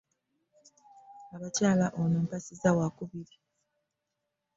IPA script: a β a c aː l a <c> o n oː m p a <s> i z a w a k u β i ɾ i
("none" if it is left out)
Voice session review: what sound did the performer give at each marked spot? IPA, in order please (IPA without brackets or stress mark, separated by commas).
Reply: ʔ, s